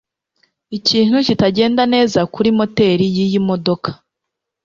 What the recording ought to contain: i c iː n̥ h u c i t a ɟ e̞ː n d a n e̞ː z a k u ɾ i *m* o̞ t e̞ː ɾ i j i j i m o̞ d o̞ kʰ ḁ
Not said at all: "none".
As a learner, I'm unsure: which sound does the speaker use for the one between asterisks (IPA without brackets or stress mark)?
m